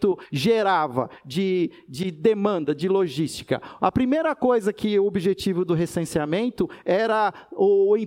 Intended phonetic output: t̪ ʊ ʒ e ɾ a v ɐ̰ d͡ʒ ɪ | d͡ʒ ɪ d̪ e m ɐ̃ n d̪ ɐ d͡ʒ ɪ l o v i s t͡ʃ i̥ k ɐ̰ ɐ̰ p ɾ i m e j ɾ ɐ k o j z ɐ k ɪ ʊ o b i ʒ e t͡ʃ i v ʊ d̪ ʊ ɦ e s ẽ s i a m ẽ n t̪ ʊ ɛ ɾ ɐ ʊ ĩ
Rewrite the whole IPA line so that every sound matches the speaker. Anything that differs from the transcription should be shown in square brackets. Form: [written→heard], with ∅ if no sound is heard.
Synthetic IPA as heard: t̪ ʊ ʒ e ɾ a v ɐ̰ d͡ʒ ɪ | d͡ʒ ɪ d̪ e m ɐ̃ n d̪ ɐ d͡ʒ ɪ l o [v→ʒ] i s t͡ʃ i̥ k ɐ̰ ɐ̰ p ɾ i m e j ɾ ɐ k o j z ɐ k ɪ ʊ o b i ʒ e t͡ʃ i v ʊ d̪ ʊ ɦ e s ẽ s i a m ẽ n t̪ ʊ ɛ ɾ ɐ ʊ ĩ